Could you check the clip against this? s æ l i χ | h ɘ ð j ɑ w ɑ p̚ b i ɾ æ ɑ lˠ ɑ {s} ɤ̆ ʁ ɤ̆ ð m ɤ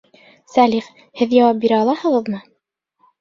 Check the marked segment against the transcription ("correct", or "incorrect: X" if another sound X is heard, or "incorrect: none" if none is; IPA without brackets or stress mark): incorrect: h